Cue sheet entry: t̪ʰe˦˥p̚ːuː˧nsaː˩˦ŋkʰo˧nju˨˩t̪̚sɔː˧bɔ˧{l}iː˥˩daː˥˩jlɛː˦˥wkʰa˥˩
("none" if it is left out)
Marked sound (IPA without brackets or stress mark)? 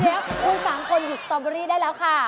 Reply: ɾ